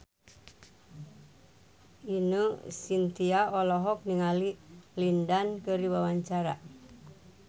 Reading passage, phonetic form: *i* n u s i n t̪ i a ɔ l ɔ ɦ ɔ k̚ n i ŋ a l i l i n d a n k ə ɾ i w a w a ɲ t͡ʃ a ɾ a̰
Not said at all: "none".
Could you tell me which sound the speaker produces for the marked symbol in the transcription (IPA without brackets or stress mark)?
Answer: i